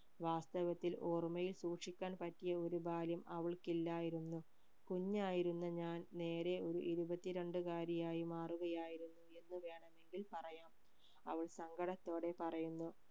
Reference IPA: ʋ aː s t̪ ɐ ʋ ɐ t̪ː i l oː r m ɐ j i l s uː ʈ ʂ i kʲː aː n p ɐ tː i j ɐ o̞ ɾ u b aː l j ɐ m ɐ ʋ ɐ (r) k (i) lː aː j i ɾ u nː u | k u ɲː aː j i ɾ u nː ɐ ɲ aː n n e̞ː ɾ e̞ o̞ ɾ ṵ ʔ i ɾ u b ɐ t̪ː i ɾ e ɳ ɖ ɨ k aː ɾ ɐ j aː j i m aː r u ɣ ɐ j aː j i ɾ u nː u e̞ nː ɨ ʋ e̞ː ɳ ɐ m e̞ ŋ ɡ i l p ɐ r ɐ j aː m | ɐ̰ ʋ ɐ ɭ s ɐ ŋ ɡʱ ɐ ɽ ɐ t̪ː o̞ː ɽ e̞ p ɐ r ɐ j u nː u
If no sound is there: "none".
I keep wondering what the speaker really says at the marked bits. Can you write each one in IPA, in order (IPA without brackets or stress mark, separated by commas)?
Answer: ɭ, i